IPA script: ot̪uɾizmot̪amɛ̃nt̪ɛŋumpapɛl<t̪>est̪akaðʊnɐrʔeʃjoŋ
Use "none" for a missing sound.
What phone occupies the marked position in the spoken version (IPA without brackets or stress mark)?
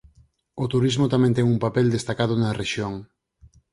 d̪